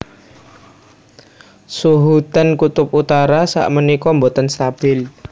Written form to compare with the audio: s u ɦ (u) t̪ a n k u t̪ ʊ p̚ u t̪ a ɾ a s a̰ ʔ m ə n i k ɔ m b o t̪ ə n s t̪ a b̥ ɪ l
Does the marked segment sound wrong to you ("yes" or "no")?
no